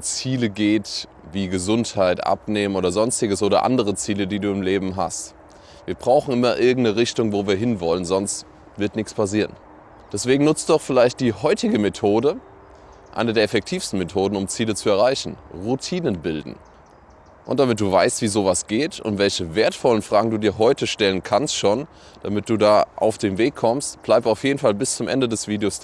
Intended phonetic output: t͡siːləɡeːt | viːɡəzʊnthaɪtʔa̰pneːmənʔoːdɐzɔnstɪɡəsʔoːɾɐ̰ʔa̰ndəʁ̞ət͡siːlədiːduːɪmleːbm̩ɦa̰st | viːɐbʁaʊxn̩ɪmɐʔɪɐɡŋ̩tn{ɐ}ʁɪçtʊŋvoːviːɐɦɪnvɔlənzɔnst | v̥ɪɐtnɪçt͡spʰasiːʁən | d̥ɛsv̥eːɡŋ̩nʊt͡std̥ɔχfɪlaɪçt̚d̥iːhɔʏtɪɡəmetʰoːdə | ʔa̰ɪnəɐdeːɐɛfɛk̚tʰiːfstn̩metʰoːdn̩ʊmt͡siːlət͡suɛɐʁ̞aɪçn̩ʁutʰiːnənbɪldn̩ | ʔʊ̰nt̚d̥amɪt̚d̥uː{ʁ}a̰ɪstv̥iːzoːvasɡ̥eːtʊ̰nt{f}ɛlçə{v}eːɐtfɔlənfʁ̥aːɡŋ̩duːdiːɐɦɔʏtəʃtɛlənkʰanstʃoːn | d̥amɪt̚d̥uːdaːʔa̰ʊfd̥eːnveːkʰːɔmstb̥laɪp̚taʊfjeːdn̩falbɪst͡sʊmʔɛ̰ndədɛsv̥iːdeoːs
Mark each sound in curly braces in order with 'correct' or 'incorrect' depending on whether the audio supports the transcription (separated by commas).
incorrect, incorrect, incorrect, correct